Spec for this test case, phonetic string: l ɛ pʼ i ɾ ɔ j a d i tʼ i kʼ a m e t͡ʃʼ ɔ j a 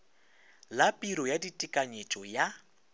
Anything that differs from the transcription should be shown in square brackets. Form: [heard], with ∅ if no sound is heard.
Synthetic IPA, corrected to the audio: l [a] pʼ i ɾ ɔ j a d i tʼ i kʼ a [ɲ] e t͡ʃʼ ɔ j a

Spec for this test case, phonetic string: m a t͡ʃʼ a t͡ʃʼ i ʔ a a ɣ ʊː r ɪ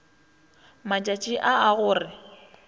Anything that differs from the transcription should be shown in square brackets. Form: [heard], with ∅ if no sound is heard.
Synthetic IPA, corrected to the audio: m a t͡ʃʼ a t͡ʃʼ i ʔ a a ɣ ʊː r ɪ

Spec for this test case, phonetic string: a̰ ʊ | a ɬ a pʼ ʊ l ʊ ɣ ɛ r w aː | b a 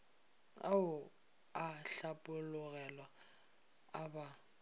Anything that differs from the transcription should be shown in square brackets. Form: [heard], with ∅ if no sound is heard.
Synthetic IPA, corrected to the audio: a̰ ʊ | a ɬ a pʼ ʊ l ʊ ɣ ɛ [l] w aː | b a

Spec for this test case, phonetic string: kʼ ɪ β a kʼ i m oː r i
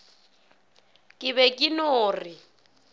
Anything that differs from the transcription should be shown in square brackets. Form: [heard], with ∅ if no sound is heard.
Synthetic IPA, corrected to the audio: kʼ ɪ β [ɛ] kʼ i [n] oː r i

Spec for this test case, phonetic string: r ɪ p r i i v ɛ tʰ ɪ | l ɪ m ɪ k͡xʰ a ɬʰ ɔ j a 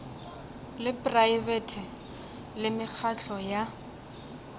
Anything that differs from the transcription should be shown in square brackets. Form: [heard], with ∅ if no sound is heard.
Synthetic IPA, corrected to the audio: [l] ɪ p r [a] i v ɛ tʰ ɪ | l ɪ m ɪ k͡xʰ a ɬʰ ɔ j a

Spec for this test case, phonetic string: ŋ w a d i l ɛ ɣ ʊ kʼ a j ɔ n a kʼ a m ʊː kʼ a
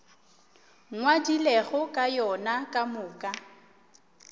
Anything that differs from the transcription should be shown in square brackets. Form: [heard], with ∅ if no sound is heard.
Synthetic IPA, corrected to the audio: ŋ w a d i l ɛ ɣ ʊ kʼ a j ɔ n a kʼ a m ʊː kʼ a

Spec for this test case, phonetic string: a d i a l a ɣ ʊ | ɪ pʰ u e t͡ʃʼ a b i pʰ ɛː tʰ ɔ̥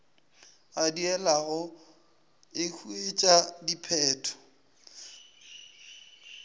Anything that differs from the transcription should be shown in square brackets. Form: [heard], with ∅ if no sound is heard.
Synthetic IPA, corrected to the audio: a d i [ɛ] l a ɣ ʊ | ɪ [kʰ] u e t͡ʃʼ a [d] i pʰ ɛː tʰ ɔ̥

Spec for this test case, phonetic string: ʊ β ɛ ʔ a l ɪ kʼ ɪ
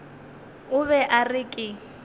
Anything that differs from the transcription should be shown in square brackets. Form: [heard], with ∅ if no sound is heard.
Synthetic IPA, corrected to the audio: ʊ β ɛ ʔ a [r] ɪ kʼ ɪ

